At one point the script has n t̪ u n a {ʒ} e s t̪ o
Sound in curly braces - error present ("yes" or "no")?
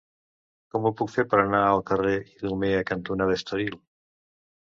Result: yes